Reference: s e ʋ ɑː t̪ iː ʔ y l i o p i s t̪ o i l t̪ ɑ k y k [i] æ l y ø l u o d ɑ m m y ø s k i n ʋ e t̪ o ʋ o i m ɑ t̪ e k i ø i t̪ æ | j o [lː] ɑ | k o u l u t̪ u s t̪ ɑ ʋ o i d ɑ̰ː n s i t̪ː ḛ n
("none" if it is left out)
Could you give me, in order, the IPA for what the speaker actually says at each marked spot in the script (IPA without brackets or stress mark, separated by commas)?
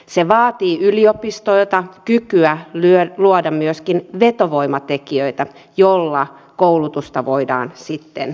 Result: y, lː